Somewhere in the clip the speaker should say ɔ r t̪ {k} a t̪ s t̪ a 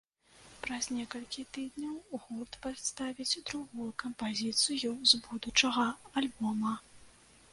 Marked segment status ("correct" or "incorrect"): incorrect